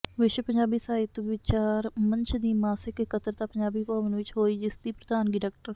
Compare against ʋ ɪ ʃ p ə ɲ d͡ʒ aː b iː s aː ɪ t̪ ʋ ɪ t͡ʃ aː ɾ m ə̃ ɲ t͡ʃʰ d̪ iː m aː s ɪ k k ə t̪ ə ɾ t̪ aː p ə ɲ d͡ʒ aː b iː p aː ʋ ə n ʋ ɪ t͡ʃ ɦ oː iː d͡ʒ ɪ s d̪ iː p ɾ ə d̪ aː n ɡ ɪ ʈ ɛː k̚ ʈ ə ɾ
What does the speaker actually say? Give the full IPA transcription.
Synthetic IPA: ʋ ɪ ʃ p ə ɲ d͡ʒ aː b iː s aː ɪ t̪ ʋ ɪ t͡ʃ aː ɾ m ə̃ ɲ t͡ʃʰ d̪ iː m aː s ɪ k k ə t̪ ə ɾ t̪ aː p ə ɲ d͡ʒ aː b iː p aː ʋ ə n ʋ ɪ t͡ʃ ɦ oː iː d͡ʒ ɪ s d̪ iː p ɾ ə d̪ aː n ɡ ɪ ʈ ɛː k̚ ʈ ə ɾ